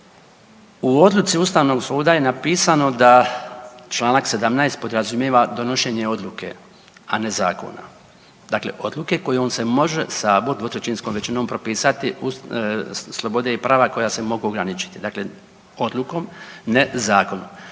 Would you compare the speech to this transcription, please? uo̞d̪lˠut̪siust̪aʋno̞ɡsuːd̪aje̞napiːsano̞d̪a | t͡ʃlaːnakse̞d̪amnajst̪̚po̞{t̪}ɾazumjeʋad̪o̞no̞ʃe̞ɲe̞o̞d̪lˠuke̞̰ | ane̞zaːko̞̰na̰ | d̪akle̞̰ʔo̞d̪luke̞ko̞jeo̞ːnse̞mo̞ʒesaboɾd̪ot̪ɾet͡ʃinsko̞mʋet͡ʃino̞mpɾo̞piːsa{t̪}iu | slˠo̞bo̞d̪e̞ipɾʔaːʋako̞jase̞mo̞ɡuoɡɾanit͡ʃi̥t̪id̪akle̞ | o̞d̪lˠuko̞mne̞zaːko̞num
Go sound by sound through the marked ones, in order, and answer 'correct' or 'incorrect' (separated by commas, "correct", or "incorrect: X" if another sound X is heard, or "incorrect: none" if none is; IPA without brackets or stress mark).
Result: incorrect: d̪, correct